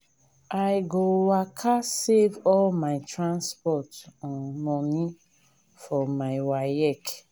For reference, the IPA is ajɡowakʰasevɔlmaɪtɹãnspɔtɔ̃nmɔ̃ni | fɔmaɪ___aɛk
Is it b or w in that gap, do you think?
w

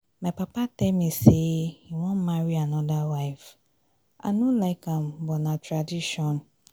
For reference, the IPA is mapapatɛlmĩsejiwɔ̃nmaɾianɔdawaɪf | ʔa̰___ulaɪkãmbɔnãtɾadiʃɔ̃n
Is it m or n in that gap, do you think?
n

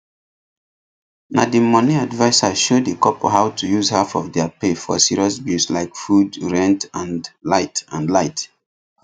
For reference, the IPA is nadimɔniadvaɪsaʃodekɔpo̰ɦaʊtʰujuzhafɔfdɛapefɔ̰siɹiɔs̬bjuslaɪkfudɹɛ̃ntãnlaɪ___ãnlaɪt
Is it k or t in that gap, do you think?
t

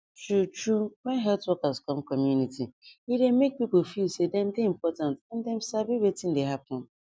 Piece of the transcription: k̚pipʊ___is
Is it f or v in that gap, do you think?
f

